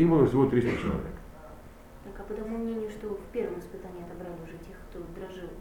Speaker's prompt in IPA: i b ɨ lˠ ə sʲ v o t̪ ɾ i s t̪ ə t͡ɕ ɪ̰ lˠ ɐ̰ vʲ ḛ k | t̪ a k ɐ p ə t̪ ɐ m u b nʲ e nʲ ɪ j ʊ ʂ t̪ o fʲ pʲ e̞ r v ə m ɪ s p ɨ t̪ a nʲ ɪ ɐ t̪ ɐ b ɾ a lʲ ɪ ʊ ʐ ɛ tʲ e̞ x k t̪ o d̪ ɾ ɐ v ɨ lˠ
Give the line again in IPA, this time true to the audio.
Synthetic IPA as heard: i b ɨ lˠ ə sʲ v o t̪ ɾ i s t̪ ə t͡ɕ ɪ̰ lˠ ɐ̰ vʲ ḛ k | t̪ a k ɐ p ə t̪ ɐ m u m nʲ e nʲ ɪ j ʊ ʂ t̪ o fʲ pʲ e̞ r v ə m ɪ s p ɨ t̪ a nʲ ɪ ɐ t̪ ɐ b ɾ a lʲ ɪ ʊ ʐ ɛ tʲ e̞ x k t̪ o d̪ ɾ ɐ ʐ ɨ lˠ